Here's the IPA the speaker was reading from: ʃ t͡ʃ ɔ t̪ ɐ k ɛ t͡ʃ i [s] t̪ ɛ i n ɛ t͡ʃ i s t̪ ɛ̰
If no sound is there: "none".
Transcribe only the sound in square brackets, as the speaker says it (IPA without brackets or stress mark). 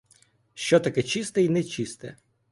s